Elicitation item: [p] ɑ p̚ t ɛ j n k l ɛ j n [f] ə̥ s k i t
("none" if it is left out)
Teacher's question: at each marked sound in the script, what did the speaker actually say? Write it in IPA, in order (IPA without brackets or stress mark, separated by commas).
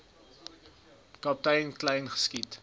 k, χ